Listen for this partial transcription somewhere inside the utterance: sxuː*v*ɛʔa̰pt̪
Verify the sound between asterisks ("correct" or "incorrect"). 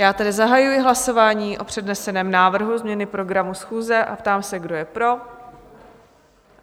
incorrect